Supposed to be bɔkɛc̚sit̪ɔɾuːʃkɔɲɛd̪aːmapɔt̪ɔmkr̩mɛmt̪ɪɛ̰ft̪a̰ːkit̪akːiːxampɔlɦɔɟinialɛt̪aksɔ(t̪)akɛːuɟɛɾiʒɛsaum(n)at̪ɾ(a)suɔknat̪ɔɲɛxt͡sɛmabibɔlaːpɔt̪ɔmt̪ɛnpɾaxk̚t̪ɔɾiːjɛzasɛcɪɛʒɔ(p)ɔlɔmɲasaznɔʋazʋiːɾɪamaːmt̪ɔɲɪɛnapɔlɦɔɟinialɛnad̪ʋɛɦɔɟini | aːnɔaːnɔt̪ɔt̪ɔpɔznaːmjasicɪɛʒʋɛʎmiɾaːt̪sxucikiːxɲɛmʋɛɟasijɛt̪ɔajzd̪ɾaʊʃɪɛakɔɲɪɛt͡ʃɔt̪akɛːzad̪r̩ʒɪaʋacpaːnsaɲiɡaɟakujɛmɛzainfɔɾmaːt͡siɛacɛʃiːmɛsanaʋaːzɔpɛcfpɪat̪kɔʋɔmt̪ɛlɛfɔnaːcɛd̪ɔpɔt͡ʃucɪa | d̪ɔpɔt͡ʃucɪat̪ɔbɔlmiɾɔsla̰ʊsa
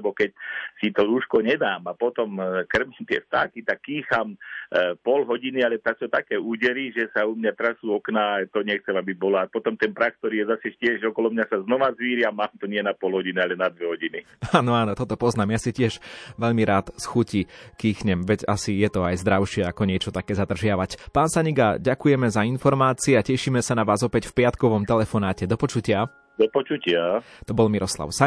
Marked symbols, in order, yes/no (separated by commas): yes, no, yes, no